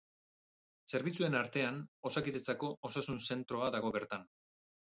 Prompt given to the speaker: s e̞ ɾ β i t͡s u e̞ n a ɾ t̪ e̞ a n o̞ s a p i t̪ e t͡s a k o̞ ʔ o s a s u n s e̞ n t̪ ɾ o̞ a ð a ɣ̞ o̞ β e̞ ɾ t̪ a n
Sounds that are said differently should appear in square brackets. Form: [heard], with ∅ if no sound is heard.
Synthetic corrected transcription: s e̞ ɾ β i t͡s u e̞ n a ɾ t̪ e̞ a n o̞ s a [k] i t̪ e t͡s a k o̞ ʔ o s a s u n s e̞ n t̪ ɾ o̞ a ð a ɣ̞ o̞ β e̞ ɾ t̪ a n